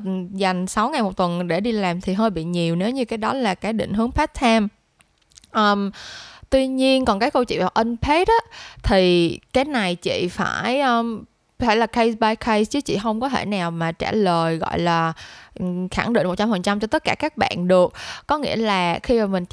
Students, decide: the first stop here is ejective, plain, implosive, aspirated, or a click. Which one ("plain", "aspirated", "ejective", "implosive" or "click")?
plain